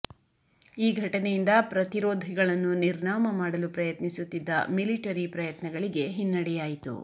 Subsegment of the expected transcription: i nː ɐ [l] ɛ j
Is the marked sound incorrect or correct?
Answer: incorrect